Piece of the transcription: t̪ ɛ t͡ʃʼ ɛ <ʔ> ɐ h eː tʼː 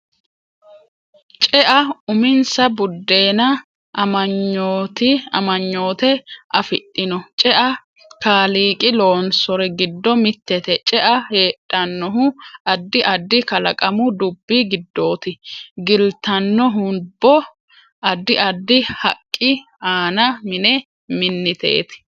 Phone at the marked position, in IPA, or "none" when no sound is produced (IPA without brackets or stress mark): ʔ